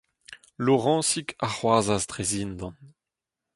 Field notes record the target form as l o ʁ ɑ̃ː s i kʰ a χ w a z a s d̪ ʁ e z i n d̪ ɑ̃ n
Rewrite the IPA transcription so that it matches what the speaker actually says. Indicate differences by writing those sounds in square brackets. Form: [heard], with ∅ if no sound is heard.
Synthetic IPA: l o ʁ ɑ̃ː s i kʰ a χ w a z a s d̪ ʁ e z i n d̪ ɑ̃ n